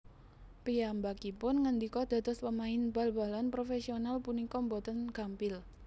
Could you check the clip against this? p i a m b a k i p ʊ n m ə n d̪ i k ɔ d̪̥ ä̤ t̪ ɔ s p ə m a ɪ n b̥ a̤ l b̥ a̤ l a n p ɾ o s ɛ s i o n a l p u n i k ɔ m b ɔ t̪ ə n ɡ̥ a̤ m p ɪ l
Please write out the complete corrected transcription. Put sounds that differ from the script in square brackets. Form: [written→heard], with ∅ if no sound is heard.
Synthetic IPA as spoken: p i a m b a k i p ʊ n [m→ŋ] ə n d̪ i k ɔ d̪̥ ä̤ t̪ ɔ s p ə m a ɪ n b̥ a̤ l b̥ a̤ l a n p ɾ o [s→f] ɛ s i o n a l p u n i k ɔ m b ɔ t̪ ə n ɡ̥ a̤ m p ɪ l

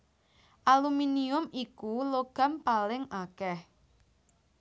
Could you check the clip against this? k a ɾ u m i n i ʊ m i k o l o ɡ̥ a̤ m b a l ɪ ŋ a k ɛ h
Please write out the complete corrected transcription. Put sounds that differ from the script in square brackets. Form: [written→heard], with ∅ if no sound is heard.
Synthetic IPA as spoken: [k→ʔ] a [ɾ→l] u m i n i ʊ m i k [o→u] l o ɡ̥ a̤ m [b→p] a l ɪ ŋ a k ɛ h

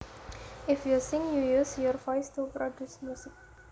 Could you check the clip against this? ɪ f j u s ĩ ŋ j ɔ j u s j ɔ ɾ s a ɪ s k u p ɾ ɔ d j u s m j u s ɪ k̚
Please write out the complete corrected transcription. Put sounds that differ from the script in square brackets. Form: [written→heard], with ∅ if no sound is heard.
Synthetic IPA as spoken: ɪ f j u s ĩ ŋ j [ɔ→u] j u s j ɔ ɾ [s→f] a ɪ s [k→t] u p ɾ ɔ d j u s m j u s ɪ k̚

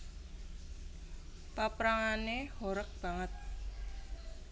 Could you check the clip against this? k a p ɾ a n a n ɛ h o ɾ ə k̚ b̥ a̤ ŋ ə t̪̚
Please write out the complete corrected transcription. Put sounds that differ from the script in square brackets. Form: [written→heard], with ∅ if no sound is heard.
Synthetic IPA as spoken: [k→p] a p ɾ a [n→ŋ] a n [ɛ→e] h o ɾ ə k̚ b̥ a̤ ŋ ə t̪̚

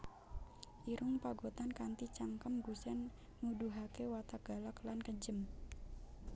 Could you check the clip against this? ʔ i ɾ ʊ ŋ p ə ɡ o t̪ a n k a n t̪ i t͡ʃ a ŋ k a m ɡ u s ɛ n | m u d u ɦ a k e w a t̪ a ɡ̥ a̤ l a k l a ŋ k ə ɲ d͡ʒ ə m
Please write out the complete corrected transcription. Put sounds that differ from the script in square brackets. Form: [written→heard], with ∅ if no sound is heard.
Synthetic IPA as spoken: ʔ i ɾ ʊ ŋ p [ə→a] ɡ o t̪ a n k a n t̪ i t͡ʃ a ŋ k [a→ə] m ɡ u s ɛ n | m u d u ɦ a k e w a t̪ a ɡ̥ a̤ l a k l a [ŋ→n] k ə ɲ d͡ʒ ə m

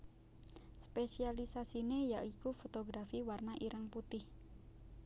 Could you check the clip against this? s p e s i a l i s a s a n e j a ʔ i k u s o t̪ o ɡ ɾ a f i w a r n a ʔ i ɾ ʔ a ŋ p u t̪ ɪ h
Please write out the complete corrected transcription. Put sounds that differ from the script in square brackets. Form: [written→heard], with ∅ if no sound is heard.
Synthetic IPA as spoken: s p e s i a l i s a s [a→i] n e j a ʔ i k u [s→f] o t̪ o ɡ ɾ a f i w a r n a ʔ i ɾ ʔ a ŋ p u t̪ ɪ h

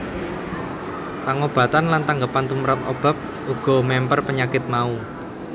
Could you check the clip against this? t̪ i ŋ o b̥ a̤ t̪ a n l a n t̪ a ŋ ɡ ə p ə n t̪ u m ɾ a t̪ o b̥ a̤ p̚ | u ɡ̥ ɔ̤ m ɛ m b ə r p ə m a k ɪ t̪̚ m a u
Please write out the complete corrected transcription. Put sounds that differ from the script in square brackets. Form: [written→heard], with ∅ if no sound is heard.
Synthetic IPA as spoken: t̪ [i→a] ŋ o b̥ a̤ t̪ a n l a n t̪ a ŋ ɡ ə p [ə→a] n t̪ u m ɾ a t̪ o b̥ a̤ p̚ | u ɡ̥ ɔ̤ m ɛ m [b→p] ə r p ə [m→ɲ] a k ɪ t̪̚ m a u

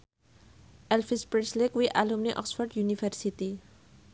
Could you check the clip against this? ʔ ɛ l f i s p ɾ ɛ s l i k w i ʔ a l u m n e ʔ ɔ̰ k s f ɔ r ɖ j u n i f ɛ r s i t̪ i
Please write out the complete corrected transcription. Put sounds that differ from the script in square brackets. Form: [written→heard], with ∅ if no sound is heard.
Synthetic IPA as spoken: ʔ ɛ l f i s p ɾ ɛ s l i k w i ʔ a l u m n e ʔ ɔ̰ k s f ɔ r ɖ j u n i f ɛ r s i t̪ i

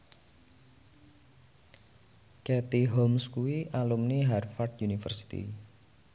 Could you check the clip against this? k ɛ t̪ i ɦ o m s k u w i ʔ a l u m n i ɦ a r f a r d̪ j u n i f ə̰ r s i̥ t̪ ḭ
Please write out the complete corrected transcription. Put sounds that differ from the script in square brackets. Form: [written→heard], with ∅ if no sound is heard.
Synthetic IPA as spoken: k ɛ t̪ i ɦ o m s k u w i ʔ a l u m n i ɦ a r f a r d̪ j u n i f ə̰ r s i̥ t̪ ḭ

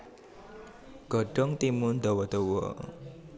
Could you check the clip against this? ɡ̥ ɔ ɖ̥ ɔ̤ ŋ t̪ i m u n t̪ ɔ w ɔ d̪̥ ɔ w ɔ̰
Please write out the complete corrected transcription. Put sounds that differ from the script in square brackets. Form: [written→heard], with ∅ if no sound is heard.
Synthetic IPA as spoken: ɡ̥ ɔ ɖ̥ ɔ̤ ŋ t̪ i m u n [t̪→d̪] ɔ w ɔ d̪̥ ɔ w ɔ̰

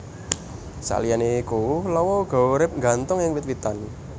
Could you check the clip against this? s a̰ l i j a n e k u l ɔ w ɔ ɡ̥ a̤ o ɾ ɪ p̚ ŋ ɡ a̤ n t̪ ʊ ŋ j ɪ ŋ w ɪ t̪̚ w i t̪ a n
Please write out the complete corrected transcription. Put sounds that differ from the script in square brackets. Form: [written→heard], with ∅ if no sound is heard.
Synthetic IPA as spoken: s a̰ l i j a n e k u l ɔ w ɔ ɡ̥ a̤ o ɾ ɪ p̚ ŋ ɡ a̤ n t̪ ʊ ŋ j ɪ ŋ w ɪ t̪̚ w i t̪ a n

